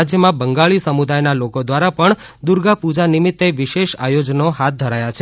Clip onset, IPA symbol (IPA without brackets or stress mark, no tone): d͡ʒ